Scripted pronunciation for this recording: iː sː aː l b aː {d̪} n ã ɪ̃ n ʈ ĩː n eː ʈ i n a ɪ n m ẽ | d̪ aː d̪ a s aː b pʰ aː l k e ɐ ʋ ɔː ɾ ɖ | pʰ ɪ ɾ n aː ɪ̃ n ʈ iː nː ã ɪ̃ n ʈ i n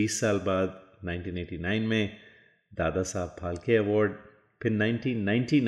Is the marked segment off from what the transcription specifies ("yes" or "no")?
no